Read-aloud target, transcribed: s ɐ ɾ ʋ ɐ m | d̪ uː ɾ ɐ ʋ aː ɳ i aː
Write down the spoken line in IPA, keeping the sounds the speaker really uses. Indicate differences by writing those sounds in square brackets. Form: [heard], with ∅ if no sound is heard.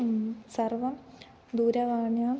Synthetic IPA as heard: s ɐ [r] ʋ ɐ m | d̪ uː ɾ ɐ ʋ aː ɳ [j] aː